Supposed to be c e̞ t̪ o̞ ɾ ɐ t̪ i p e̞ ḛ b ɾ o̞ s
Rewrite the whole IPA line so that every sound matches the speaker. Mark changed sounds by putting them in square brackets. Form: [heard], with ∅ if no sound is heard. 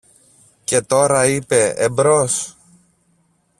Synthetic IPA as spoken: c e̞ t̪ o̞ ɾ ɐ [∅] i p e̞ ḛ b ɾ o̞ s